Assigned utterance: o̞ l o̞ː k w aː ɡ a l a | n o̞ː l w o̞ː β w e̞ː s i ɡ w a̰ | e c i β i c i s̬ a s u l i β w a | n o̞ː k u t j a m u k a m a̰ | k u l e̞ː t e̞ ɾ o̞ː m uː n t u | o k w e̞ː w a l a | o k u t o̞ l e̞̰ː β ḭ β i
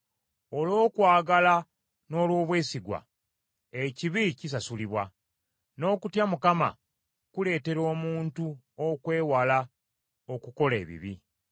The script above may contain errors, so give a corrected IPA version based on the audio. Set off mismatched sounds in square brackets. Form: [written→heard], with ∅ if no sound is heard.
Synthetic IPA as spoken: o̞ l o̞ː k w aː ɡ a l a | n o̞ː l w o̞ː β w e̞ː s i ɡ w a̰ | e c i β i c i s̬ a s u l i β w a | n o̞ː k u t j a m u k a m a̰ | k u l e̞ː t e̞ ɾ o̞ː m uː n t u | o k w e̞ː w a l a | o k u [t→k] o̞ l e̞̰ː β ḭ β i